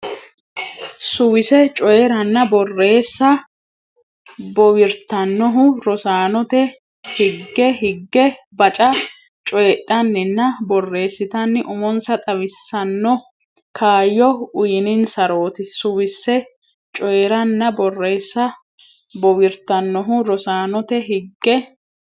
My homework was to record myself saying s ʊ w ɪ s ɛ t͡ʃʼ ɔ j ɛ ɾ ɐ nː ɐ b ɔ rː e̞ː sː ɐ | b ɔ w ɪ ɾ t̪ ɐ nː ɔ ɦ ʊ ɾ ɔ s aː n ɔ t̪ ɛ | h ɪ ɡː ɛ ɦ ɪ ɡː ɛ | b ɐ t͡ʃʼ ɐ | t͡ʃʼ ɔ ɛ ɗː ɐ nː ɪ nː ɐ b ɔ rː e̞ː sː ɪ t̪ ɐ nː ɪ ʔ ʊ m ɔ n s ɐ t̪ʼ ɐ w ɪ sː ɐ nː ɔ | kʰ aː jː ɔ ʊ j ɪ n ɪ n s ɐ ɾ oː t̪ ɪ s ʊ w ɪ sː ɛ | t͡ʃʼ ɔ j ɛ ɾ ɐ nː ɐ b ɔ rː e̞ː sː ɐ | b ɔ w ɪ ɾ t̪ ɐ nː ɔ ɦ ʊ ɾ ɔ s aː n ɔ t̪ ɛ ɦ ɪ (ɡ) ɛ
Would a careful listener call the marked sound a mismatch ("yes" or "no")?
yes